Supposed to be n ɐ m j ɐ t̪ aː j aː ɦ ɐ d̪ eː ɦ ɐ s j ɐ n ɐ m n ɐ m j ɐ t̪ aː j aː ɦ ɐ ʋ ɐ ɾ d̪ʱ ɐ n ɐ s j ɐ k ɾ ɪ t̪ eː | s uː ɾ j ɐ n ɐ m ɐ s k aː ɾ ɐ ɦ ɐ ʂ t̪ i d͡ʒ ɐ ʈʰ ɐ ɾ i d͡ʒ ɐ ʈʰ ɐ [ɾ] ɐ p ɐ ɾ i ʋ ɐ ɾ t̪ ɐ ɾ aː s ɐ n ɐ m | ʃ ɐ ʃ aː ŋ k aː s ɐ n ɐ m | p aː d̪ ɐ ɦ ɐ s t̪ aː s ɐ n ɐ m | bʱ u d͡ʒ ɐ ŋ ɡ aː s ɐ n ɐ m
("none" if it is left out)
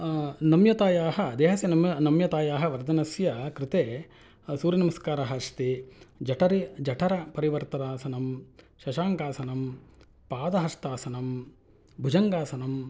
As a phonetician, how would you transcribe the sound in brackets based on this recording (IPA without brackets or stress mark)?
ɾ